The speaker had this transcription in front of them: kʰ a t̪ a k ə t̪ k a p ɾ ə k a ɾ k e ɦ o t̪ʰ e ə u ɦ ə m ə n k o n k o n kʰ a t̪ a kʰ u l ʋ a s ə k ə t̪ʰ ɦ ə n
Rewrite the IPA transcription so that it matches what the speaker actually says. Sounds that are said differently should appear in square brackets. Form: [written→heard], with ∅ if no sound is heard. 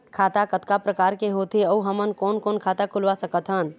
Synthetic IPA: kʰ a t̪ a k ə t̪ k a p ɾ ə k a ɾ k e ɦ o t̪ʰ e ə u ɦ ə m ə n k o n k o n kʰ a t̪ a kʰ u l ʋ a s ə k ə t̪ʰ ɦ ə n